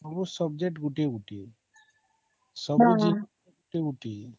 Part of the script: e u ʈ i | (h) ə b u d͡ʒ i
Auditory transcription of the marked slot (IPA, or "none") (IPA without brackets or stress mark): s